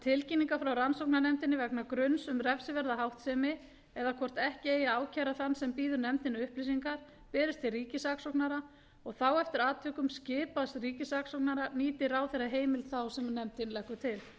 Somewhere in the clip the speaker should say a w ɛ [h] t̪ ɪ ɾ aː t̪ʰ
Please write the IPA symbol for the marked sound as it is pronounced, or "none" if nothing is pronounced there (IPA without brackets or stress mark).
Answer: f